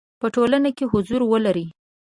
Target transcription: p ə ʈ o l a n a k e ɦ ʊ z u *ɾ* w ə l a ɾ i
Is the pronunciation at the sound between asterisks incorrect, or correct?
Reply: correct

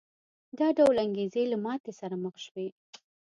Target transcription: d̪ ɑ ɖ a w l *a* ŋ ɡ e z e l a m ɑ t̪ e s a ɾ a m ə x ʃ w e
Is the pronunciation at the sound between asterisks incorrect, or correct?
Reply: correct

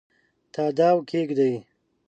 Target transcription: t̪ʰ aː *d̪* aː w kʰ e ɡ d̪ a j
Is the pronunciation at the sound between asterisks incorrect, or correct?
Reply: correct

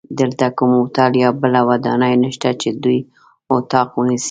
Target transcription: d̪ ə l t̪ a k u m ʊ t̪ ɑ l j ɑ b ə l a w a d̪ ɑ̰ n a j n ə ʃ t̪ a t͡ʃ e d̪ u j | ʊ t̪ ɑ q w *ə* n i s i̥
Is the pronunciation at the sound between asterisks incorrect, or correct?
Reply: correct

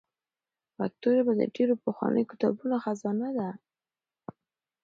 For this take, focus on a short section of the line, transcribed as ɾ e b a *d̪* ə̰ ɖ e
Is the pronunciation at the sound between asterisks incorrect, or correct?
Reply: correct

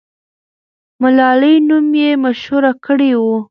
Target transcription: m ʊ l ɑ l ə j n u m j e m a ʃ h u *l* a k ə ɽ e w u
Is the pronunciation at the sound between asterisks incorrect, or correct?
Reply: incorrect: ɾ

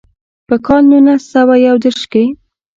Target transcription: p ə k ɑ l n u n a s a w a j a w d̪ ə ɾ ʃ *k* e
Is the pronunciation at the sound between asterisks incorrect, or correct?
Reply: correct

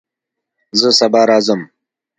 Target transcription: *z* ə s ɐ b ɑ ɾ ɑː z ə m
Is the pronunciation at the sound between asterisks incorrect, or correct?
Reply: correct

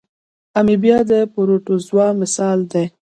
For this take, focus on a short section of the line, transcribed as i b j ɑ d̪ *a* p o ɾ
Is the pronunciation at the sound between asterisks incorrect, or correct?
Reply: incorrect: ə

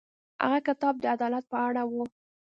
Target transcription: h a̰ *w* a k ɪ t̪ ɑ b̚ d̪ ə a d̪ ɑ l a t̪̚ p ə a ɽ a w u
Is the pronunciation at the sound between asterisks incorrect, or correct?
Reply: incorrect: ɣ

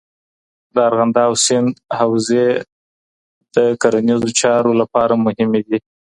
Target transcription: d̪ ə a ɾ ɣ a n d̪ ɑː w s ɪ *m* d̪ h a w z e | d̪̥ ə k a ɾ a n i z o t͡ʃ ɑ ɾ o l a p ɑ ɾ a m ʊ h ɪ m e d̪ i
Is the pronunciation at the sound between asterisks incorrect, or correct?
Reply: incorrect: n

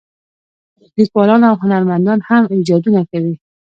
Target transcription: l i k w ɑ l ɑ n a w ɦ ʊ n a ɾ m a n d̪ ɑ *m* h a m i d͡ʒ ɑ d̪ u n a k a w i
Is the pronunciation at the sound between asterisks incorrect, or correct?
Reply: incorrect: n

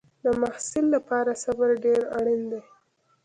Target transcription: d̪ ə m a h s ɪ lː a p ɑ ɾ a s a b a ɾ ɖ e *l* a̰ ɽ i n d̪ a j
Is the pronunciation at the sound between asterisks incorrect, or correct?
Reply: incorrect: ɾ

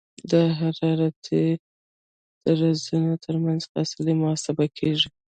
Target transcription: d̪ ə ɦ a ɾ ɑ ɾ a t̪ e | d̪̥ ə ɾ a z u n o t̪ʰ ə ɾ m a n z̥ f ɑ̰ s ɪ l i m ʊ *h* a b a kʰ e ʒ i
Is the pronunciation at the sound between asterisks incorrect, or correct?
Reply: incorrect: s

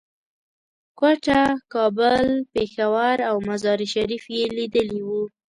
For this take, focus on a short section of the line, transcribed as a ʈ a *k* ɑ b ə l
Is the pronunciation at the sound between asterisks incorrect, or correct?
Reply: correct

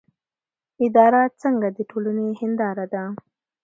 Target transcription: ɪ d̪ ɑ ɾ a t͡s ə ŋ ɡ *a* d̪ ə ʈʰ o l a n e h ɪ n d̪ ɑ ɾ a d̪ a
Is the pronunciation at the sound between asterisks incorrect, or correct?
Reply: correct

